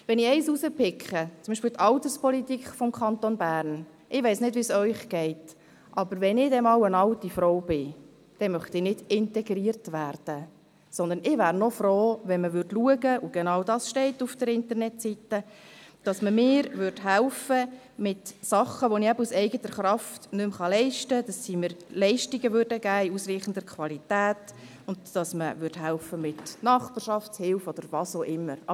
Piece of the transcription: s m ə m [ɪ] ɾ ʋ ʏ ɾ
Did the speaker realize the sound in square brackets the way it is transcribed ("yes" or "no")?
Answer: no